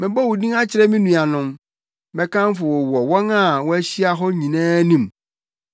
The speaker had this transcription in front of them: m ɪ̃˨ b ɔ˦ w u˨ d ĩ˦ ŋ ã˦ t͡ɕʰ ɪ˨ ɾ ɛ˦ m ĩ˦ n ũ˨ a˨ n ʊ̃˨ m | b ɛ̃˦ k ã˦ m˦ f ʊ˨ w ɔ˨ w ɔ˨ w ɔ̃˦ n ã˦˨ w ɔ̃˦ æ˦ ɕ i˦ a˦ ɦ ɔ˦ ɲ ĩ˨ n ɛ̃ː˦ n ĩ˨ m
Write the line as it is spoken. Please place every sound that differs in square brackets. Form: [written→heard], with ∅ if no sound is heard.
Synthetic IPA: m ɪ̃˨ b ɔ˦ w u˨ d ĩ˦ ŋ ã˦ t͡ɕʰ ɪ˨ ɾ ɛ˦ m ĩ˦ n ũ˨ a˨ n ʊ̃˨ m | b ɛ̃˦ k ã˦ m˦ f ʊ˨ w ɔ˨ w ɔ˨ w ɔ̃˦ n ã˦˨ w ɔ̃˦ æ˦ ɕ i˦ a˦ ɦ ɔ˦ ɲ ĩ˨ n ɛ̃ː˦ n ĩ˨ m